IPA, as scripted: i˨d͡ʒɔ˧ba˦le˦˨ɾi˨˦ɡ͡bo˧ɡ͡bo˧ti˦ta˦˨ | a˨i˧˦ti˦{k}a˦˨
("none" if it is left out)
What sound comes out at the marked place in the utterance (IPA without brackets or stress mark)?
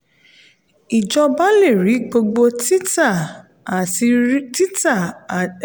t